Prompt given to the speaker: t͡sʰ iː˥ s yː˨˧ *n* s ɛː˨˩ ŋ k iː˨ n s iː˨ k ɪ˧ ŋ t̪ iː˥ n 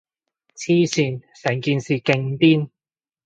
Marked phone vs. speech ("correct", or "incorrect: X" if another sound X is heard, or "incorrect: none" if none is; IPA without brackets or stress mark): correct